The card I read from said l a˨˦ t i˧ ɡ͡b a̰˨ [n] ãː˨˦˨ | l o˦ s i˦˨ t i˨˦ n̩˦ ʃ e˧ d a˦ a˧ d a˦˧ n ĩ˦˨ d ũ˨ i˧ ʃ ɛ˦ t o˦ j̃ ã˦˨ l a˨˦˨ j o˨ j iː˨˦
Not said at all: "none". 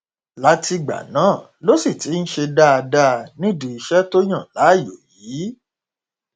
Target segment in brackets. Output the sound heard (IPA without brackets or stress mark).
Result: n